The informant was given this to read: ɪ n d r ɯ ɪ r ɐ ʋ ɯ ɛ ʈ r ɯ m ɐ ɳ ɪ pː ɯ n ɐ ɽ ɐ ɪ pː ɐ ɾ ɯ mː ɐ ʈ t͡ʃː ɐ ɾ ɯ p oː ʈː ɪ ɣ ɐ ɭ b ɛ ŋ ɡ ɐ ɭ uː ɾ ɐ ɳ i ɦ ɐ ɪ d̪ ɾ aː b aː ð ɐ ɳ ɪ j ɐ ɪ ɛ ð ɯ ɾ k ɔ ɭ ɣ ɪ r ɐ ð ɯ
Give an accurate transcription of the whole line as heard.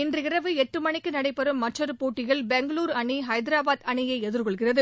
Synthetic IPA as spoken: ɪ n d r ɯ ɪ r ɐ ʋ ɯ ɛ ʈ r ɯ m ɐ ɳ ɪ kː ɯ n ɐ ɽ ɐ ɪ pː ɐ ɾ ɯ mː ɐ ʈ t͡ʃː ɐ ɾ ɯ p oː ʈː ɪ ɣ ɐ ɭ b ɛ ŋ ɡ ɐ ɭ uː ɾ ɐ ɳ i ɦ ɐ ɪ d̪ ɾ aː b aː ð ɐ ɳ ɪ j ɐ ɪ ɛ ð ɯ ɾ k ɔ ɭ ɣ ɪ r ɐ ð ɯ